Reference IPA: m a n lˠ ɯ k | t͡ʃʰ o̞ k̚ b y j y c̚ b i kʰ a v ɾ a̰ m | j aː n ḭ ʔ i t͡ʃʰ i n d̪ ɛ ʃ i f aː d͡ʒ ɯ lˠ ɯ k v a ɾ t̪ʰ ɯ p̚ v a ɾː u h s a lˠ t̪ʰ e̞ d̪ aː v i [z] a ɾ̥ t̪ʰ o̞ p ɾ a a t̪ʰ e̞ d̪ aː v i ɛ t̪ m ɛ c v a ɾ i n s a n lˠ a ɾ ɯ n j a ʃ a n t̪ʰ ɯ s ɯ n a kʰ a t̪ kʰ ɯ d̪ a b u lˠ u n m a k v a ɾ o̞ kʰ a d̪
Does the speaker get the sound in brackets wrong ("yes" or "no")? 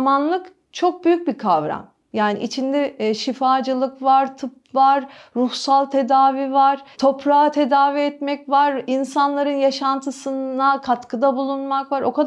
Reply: yes